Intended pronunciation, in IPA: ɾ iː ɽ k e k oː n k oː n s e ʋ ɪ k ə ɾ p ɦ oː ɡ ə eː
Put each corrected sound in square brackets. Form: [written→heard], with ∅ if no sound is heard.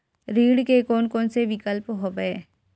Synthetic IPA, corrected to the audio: ɾ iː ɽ k e k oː n k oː n s e ʋ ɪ k ə [ɾ→l] p ɦ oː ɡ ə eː